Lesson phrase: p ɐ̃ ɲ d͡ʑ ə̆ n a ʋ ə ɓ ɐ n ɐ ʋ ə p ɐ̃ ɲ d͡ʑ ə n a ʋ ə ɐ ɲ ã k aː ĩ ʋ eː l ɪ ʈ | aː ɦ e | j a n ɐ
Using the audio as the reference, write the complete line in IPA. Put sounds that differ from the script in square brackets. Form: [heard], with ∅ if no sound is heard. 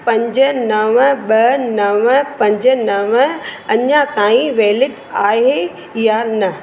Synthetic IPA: p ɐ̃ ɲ d͡ʑ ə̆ n [ɐ] ʋ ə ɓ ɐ n ɐ ʋ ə p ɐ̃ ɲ d͡ʑ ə n [ɐ] ʋ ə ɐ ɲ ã k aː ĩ ʋ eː l ɪ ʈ | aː ɦ e | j a n ɐ